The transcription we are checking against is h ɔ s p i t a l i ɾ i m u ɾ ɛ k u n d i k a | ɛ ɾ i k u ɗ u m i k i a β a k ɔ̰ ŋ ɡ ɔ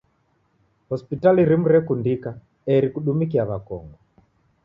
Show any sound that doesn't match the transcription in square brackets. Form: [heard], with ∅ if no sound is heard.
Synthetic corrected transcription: h ɔ s p i t a l i ɾ i m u ɾ ɛ k u n d i k a | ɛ ɾ i k u ɗ u m i k i a β a k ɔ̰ ŋ ɡ ɔ